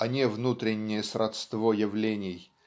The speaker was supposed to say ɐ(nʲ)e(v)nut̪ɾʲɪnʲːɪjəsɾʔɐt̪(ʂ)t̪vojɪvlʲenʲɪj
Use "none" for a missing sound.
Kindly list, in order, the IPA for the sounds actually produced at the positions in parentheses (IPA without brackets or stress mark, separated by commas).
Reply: nʲ, v, s